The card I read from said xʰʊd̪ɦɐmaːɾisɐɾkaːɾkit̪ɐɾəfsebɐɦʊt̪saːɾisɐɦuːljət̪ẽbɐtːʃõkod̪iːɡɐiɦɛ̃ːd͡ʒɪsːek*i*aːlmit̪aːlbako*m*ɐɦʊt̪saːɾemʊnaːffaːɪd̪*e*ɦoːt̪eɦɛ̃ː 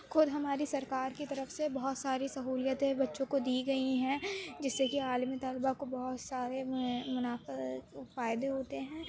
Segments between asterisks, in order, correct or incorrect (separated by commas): correct, incorrect, correct